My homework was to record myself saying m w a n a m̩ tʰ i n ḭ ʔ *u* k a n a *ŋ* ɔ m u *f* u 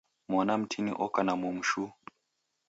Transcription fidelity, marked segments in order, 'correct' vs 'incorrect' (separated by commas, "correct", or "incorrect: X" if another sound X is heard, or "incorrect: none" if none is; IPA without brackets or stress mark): incorrect: ɔ, incorrect: m, incorrect: ʃ